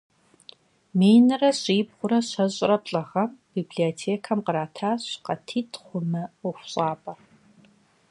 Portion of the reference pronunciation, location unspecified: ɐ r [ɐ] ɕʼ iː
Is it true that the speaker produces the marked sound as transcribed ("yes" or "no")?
yes